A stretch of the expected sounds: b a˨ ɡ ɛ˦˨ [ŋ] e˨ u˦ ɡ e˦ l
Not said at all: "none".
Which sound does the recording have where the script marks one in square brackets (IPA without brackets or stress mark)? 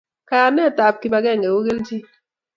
ŋ